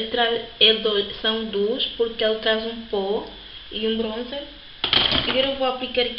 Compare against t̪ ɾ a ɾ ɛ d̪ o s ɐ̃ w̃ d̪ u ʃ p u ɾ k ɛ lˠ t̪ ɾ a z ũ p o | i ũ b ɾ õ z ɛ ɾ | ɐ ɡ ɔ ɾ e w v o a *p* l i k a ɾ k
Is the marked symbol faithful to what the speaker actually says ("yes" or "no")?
yes